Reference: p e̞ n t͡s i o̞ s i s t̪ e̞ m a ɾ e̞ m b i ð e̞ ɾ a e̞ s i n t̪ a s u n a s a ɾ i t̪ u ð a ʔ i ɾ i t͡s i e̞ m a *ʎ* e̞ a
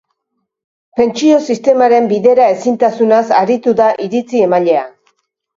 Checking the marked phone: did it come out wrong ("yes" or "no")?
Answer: no